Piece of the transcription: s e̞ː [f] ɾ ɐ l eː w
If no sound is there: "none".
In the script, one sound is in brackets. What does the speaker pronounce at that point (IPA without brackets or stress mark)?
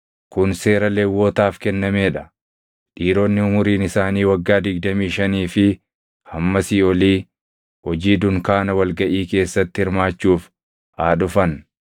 none